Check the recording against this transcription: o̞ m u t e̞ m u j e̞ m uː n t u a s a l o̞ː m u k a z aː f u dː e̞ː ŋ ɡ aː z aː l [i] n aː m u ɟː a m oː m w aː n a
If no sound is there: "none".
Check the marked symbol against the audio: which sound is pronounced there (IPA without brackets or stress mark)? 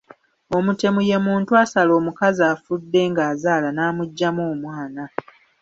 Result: a